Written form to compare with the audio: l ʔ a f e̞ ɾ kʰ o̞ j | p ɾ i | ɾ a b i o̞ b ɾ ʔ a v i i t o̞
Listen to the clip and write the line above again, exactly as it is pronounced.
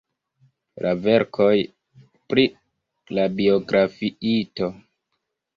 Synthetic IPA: l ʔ a v e̞ ɾ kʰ o̞ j | p ɾ i | l a b i o̞ ɡ ɾ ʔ a f i i t o̞